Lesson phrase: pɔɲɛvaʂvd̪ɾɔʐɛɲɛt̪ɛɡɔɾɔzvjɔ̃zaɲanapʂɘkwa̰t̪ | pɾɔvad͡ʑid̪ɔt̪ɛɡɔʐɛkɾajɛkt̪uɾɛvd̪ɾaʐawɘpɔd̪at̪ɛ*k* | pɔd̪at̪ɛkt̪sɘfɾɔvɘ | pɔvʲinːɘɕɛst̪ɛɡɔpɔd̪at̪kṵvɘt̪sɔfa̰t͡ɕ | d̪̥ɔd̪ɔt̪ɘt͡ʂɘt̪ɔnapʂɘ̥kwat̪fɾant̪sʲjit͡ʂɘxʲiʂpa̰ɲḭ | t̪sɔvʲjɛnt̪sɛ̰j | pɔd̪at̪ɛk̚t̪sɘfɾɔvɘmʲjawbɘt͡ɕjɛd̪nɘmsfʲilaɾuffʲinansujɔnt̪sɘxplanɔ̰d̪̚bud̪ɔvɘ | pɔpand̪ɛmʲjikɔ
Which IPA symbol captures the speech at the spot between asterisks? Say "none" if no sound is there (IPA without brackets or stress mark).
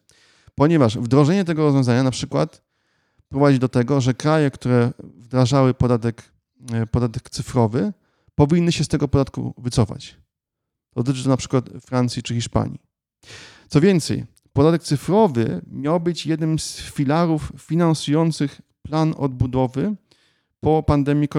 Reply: k